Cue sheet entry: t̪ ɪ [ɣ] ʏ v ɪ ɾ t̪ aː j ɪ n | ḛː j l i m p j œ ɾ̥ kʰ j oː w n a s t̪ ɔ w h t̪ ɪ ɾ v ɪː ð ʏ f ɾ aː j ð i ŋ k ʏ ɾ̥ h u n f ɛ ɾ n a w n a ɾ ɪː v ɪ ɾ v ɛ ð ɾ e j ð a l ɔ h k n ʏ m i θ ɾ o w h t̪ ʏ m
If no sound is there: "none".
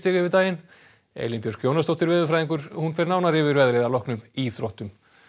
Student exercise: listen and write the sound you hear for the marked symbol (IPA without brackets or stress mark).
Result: ɣ